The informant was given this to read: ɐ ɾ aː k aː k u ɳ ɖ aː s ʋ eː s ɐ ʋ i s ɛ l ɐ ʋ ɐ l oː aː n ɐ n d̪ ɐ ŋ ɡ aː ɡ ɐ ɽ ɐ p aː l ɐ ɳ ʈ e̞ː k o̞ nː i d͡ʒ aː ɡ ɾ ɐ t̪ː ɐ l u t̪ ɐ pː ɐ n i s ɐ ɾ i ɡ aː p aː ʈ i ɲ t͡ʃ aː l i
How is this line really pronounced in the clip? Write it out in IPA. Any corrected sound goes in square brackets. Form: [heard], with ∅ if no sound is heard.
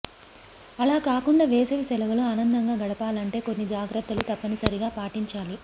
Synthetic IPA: ɐ [l] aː k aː k u ɳ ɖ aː [∅] ʋ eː s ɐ ʋ i s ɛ l ɐ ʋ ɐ l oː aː n ɐ n d̪ ɐ ŋ ɡ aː ɡ ɐ ɽ ɐ p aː l ɐ ɳ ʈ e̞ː k o̞ nː i d͡ʒ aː ɡ ɾ ɐ t̪ː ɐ l u t̪ ɐ pː ɐ n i s ɐ ɾ i ɡ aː p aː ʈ i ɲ t͡ʃ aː l i

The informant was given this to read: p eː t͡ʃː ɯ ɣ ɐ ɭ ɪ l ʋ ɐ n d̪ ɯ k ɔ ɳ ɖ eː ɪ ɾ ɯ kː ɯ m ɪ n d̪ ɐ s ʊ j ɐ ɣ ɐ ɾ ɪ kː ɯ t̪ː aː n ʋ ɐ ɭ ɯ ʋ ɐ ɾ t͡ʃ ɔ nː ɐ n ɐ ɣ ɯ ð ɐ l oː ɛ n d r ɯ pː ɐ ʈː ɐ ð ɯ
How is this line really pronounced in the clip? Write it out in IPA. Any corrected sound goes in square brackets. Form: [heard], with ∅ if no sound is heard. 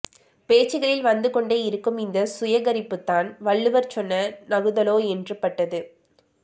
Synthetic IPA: p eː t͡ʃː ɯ ɣ ɐ ɭ ɪ l ʋ ɐ n d̪ ɯ k ɔ ɳ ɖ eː ɪ ɾ ɯ kː ɯ m ɪ n d̪ ɐ s ʊ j ɐ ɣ ɐ ɾ ɪ [pː] ɯ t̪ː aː n ʋ ɐ [ɭː] ɯ ʋ ɐ ɾ t͡ʃ ɔ nː ɐ n ɐ ɣ ɯ ð ɐ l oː ɛ n d r ɯ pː ɐ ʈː ɐ ð ɯ

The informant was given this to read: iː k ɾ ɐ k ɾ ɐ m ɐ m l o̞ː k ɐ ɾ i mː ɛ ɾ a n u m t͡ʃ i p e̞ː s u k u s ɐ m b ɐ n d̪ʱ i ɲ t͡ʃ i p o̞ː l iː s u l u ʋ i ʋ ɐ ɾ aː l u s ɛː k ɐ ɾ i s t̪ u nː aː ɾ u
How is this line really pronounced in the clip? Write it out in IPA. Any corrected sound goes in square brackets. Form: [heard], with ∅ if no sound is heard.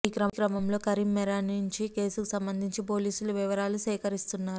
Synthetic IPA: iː k ɾ ɐ k ɾ ɐ m ɐ m l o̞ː k ɐ ɾ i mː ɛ ɾ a n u [ɲ] t͡ʃ i [k] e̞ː s u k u s ɐ m b ɐ n d̪ʱ i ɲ t͡ʃ i p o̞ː l iː s u l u ʋ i ʋ ɐ ɾ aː l u s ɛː k ɐ ɾ i s t̪ u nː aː ɾ u

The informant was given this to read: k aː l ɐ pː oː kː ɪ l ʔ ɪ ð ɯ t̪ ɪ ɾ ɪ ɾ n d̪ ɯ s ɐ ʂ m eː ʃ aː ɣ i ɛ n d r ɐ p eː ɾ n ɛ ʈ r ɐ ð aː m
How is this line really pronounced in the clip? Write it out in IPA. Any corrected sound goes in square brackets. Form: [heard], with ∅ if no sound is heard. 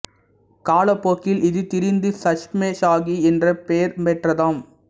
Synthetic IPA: k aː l ɐ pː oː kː ɪ l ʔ ɪ ð ɯ t̪ ɪ ɾ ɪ [∅] n d̪ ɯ s ɐ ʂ m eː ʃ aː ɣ i ɛ n d r ɐ p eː ɾ [m] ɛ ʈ r ɐ ð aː m

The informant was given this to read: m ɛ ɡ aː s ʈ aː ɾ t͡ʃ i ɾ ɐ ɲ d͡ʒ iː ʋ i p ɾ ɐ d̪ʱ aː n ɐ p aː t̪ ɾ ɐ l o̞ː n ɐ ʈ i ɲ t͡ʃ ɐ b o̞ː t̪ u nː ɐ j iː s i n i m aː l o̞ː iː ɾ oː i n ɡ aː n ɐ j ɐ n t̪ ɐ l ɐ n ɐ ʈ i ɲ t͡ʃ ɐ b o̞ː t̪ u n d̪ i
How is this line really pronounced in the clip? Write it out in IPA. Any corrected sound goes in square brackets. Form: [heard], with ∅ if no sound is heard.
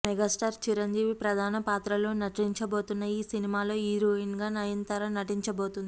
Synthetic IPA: m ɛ ɡ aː s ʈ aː ɾ t͡ʃ i ɾ ɐ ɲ d͡ʒ iː ʋ i p ɾ ɐ d̪ʱ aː n ɐ p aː t̪ ɾ ɐ l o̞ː n ɐ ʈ i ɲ t͡ʃ ɐ b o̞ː t̪ u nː ɐ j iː s i n i m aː l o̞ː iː ɾ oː i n ɡ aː n ɐ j ɐ n t̪ ɐ [ɾ] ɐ n ɐ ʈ i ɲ t͡ʃ ɐ b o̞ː t̪ u n d̪ i

